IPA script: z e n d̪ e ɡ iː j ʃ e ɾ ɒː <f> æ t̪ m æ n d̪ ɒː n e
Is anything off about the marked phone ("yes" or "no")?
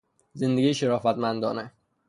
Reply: no